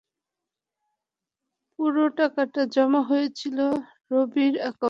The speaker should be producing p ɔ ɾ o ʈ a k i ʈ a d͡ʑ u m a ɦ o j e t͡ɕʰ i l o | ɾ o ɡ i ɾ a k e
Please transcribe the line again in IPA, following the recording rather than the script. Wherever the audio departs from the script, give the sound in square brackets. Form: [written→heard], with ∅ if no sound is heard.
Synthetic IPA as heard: p [ɔ→u] ɾ o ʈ a k [i→a] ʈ a d͡ʑ [u→ɔ] m a ɦ o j e t͡ɕʰ i l o | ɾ o [ɡ→b] i ɾ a k [e→a]